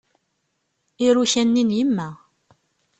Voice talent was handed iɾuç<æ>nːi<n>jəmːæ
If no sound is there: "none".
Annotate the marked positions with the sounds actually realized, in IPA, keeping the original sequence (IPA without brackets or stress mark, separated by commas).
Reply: æ, n